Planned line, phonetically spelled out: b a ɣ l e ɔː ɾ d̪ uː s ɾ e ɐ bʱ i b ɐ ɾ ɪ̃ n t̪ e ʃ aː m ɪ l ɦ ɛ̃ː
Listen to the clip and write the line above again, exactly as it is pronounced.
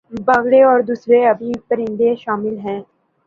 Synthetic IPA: b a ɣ ɽ e ɔː ɾ d̪ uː s ɾ e ɐ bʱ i p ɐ ɾ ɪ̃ n d̪ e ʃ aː m ɪ l ɦ ɛ̃ː

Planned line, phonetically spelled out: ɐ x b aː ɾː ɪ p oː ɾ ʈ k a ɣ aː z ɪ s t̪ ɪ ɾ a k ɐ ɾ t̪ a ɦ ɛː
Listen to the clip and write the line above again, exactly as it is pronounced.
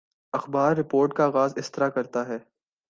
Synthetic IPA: ɐ x b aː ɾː ɪ p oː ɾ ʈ k a ɣ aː z ɪ s t̪ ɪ ɾ a k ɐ ɾ t̪ a ɦ ɛː

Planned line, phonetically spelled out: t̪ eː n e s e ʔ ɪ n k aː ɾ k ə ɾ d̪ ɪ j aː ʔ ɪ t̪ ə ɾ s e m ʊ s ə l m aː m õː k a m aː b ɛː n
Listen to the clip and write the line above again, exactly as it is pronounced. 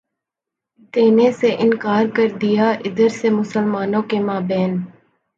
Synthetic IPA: t̪ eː n e s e ʔ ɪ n k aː ɾ k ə ɾ d̪ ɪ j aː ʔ ɪ d̪ ə ɾ s e m ʊ s ə l m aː n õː k e m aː b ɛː n

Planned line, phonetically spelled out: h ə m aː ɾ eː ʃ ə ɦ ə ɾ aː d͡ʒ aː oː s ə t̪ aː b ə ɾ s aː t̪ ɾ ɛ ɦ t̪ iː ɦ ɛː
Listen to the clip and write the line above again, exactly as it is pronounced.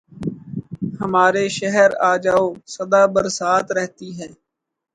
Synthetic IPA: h ə m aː ɾ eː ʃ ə ɦ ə ɾ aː d͡ʒ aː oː s ə d̪ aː b ə ɾ s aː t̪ ɾ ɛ ɦ t̪ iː ɦ ɛː

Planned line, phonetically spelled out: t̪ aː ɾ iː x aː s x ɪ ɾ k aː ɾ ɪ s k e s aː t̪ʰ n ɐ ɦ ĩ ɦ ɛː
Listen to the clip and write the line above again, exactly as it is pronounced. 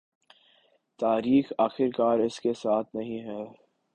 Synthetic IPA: t̪ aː ɾ iː x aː x ɪ ɾ k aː ɾ ɪ s k e s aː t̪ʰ n ɐ ɦ ĩ ɦ ɛː

